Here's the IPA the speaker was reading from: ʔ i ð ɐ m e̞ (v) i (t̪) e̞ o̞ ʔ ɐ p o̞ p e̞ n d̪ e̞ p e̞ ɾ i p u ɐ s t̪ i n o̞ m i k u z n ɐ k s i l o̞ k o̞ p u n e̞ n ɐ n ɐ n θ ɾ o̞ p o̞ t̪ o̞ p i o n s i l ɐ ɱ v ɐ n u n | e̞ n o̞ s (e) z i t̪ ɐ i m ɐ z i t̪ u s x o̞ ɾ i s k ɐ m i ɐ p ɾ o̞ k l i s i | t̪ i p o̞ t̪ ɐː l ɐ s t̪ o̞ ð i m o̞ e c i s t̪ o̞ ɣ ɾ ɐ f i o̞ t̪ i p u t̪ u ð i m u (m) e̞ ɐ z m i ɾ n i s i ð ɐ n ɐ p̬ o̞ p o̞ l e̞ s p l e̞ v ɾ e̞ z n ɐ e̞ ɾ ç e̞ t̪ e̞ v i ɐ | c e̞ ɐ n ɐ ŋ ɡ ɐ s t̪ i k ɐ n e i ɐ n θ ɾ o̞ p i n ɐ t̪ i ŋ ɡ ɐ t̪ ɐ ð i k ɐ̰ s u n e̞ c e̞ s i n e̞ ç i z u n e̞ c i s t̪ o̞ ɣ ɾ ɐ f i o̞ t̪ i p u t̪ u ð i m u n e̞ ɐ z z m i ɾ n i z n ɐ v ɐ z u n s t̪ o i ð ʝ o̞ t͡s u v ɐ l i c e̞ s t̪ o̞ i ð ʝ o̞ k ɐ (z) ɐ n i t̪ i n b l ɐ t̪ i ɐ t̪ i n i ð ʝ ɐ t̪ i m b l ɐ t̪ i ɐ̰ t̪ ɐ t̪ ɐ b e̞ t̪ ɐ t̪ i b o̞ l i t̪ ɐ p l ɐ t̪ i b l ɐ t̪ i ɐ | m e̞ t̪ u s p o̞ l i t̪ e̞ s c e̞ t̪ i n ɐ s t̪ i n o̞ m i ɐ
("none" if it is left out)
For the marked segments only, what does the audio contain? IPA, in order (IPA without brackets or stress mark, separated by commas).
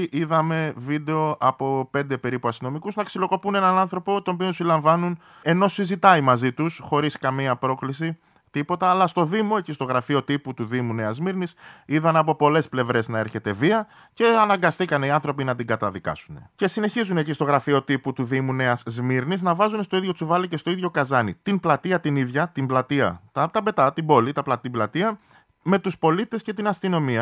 v, d̪, i, n, z